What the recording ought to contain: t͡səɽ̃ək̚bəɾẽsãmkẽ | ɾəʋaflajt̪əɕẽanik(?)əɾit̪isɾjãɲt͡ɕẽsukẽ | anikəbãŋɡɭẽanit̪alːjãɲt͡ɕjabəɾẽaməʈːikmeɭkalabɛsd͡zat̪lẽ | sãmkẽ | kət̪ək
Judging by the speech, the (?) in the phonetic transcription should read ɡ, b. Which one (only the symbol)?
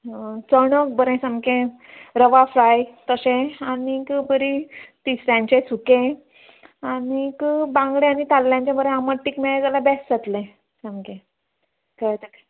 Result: b